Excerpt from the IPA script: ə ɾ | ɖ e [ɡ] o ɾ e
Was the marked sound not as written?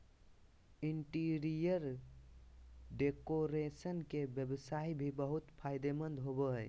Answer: yes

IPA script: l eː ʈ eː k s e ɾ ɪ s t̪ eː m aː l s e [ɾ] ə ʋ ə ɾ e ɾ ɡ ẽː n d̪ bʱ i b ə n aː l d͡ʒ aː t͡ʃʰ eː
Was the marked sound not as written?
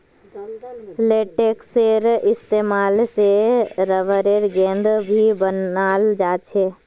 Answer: no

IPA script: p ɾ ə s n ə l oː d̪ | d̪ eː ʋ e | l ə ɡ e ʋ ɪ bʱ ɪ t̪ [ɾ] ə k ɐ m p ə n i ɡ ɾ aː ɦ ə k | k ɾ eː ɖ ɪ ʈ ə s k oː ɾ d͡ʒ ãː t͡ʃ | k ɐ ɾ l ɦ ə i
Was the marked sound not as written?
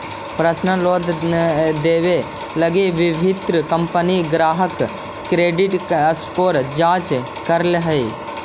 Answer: no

